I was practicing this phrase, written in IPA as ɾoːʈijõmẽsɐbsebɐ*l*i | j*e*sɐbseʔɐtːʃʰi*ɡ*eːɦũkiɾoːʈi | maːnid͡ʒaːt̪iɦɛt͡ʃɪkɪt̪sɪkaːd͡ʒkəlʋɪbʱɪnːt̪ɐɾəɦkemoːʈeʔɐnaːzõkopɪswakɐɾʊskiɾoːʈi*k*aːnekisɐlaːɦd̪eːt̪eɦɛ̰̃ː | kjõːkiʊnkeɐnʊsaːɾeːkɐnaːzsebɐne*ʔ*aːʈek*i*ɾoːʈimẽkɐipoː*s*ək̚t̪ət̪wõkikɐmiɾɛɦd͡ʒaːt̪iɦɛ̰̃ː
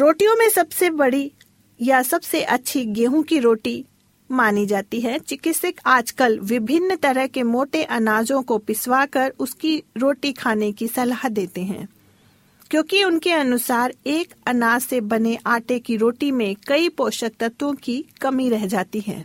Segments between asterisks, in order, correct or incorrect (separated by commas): incorrect, incorrect, correct, incorrect, correct, correct, incorrect